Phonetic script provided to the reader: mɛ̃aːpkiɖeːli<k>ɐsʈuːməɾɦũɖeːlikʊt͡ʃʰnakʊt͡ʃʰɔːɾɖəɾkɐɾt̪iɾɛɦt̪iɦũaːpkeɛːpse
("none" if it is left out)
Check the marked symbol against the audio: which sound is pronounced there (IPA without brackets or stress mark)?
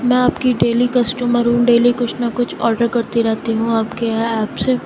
k